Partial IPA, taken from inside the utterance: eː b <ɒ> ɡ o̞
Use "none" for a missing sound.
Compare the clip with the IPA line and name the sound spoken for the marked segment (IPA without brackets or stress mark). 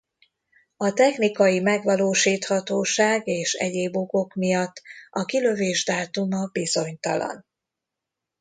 o